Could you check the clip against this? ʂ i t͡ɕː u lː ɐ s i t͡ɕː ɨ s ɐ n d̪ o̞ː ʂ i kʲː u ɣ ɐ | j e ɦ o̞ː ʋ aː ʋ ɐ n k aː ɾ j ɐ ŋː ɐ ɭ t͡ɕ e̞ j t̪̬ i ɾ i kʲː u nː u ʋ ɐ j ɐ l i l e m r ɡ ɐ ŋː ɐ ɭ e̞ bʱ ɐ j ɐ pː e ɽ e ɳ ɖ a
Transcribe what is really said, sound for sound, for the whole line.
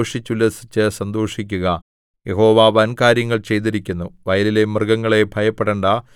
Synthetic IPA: ʂ i t͡ɕː u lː ɐ s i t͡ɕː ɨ s ɐ n d̪ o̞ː ʂ i kʲː u ɣ ɐ | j e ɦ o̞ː ʋ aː ʋ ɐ n k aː ɾ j ɐ ŋː ɐ ɭ t͡ɕ e̞ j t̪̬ i ɾ i kʲː u nː u ʋ ɐ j ɐ l i l e m r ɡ ɐ ŋː ɐ ɭ e̞ bʱ ɐ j ɐ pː e ɽ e ɳ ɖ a